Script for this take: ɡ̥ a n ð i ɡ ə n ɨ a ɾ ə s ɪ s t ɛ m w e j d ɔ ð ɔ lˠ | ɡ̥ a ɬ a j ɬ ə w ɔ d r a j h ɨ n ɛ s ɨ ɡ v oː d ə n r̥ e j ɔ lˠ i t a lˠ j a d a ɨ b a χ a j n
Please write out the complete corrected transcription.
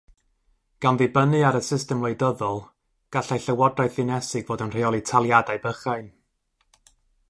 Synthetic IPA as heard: ɡ̥ a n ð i b ə n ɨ a ɾ ə s ɪ s t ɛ m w e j d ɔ ð ɔ lˠ | ɡ̥ a ɬ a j ɬ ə w ɔ d r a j θ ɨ n ɛ s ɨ ɡ v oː d ə n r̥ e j ɔ lˠ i tʰ a lˠ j a d a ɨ b ə χ a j n